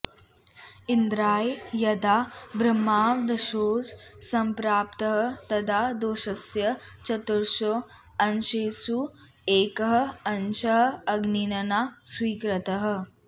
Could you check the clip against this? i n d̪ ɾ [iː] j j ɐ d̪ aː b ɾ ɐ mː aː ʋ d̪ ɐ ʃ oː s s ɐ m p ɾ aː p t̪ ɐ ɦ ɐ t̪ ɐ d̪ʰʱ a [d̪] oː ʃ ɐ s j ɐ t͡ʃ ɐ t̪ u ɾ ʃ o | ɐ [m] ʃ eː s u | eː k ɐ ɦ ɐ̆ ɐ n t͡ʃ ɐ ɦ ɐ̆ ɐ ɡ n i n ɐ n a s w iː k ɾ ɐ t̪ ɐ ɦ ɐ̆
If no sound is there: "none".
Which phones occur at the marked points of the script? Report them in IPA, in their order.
aː, d̪, n

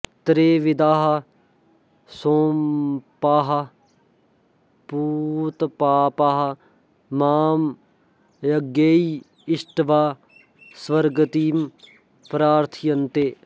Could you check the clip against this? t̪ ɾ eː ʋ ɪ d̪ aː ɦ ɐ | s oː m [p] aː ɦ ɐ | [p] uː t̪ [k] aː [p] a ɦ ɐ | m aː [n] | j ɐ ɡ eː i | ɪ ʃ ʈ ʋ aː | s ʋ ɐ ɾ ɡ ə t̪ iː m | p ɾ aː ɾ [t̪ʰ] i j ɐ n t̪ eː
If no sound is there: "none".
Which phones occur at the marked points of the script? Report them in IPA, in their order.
p, p, p, p, m, t̪ʰ

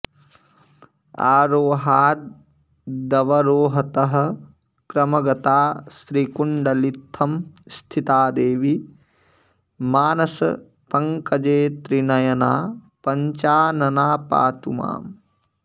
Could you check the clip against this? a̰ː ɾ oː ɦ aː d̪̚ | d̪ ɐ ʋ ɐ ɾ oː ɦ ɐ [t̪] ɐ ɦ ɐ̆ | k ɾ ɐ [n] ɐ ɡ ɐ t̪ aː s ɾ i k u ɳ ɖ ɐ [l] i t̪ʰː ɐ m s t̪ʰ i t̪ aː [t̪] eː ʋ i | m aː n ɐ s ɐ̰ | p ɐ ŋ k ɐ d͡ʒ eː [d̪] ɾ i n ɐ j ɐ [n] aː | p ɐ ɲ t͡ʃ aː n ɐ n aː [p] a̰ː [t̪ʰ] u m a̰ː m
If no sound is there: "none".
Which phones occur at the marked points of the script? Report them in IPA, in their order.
t̪, m, l, d̪, t̪, n, p, t̪

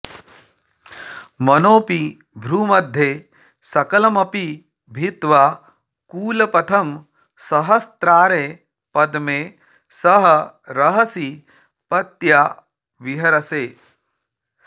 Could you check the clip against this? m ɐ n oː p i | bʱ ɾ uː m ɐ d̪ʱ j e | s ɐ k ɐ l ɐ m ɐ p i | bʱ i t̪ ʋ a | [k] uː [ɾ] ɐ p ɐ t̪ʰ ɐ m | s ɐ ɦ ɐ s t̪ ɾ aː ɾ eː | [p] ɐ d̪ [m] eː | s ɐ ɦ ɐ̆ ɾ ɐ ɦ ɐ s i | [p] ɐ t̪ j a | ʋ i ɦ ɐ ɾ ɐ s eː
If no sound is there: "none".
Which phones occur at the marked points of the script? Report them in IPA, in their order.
k, l, p, m, p

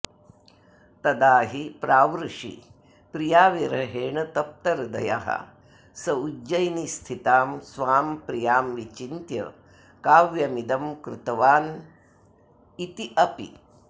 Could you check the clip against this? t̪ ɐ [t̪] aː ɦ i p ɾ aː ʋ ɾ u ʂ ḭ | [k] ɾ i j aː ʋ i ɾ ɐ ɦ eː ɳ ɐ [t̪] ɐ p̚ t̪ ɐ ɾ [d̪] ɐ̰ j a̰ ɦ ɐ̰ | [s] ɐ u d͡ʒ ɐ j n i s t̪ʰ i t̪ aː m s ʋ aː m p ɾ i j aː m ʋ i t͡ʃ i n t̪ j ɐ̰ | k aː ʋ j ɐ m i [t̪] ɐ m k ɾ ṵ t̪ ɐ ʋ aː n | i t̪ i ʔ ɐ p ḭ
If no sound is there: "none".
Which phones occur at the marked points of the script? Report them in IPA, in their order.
d̪, p, t̪, d̪, s, d̪

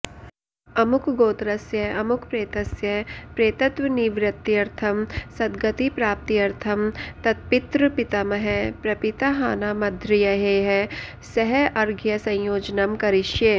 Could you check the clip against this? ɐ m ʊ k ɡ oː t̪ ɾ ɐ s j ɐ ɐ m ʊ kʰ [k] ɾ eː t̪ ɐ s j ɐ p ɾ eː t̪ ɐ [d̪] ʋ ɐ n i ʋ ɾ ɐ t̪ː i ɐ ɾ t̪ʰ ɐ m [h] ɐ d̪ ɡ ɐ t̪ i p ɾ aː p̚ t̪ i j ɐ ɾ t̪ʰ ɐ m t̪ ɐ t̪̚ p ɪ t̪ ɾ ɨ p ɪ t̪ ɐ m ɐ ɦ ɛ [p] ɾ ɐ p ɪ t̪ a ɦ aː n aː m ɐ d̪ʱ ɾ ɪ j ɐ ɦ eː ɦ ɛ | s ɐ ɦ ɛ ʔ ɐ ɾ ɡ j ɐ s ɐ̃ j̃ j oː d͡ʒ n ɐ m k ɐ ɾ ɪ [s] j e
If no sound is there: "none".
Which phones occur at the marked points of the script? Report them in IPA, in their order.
p, t̪, s, p, ʃ

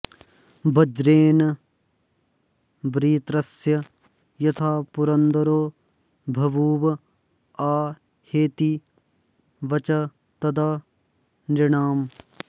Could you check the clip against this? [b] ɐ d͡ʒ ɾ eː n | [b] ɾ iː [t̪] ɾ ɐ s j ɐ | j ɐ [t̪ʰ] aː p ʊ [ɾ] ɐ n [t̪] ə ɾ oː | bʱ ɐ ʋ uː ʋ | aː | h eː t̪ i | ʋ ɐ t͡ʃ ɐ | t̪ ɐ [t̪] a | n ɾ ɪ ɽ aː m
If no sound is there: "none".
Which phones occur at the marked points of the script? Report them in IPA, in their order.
b, b, t̪, t̪ʰ, ɾ, d̪, d̪

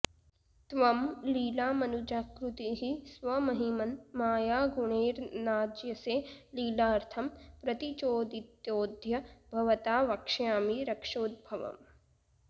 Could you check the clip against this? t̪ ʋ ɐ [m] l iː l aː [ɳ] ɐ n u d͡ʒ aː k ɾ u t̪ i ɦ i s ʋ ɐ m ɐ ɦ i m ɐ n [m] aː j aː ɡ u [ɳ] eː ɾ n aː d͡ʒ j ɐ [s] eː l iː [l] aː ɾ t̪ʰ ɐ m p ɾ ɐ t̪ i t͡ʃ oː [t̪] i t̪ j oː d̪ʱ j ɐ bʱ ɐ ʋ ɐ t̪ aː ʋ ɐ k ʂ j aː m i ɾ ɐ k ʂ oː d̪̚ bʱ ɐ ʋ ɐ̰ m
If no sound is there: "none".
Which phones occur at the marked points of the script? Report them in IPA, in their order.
m, m, m, ɳ, s, l, d̪

